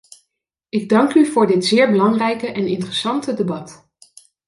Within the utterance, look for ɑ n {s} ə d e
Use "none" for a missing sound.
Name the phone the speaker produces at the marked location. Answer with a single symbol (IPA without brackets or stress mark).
t